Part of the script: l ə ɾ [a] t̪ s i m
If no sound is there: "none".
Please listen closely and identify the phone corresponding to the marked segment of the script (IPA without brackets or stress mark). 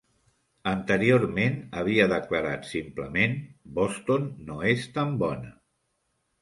a